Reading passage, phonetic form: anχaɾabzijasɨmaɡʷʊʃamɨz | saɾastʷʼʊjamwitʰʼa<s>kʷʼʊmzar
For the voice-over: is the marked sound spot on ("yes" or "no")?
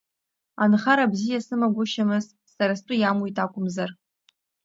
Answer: no